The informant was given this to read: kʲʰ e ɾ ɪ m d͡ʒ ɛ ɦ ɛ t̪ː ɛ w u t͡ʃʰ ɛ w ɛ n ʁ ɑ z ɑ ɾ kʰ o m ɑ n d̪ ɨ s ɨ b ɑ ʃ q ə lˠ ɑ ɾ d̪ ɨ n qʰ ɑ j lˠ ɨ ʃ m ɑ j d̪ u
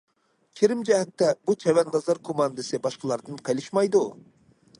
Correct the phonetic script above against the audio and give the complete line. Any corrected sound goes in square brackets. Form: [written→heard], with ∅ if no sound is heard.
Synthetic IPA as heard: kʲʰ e ɾ ɪ m d͡ʒ ɛ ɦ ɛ t̪ː ɛ [w→b] u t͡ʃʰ ɛ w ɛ n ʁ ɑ z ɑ ɾ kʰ o m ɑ n d̪ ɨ s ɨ b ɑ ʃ q ə lˠ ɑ ɾ d̪ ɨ n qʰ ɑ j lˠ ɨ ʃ m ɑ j d̪ u